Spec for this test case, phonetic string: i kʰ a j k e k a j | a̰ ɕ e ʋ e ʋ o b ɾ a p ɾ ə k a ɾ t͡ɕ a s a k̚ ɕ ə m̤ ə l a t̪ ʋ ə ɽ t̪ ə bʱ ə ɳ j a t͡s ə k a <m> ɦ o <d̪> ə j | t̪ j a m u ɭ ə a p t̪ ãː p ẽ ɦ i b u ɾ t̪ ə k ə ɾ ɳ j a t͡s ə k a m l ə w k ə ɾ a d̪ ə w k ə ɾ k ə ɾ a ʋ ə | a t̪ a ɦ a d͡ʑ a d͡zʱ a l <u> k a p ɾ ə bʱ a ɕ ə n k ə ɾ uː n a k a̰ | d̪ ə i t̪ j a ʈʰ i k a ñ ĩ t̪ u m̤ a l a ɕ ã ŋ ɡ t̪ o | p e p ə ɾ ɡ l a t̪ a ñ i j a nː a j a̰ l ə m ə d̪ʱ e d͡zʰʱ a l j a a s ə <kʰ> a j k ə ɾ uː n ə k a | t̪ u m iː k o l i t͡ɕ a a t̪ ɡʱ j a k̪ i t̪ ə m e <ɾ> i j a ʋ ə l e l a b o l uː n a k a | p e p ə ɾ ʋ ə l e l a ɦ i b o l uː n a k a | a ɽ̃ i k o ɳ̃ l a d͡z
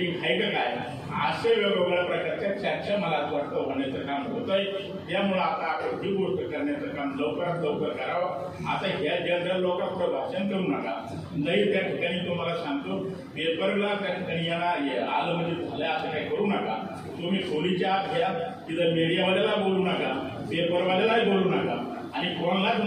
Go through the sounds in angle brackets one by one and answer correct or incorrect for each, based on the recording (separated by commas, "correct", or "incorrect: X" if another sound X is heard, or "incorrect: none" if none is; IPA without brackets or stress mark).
correct, incorrect: t̪, incorrect: o, incorrect: k, incorrect: ɽ